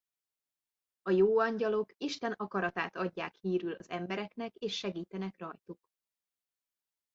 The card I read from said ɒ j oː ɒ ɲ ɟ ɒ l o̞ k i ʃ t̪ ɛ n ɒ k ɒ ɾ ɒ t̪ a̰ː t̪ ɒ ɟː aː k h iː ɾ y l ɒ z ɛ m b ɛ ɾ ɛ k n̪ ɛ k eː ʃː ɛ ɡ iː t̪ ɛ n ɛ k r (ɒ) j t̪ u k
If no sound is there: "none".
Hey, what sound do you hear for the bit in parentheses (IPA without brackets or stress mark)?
ɒ